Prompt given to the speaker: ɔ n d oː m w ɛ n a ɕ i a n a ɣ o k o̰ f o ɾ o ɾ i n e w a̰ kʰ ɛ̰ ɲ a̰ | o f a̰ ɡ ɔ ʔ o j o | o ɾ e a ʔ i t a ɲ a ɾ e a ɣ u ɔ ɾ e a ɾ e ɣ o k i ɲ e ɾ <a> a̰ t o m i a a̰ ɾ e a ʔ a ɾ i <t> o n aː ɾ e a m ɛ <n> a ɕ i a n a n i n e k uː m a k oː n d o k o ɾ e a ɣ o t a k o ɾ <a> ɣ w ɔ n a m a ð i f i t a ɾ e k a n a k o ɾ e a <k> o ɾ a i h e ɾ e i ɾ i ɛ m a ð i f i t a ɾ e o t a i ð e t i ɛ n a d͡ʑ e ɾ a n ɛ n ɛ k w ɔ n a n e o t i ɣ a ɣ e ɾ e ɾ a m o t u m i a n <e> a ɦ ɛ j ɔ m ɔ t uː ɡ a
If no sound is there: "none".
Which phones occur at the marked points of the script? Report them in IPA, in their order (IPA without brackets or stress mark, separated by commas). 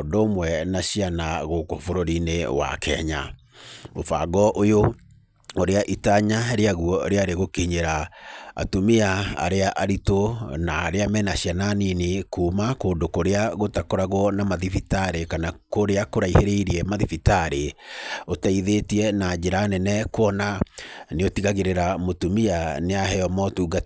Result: a, t, n, a, k, e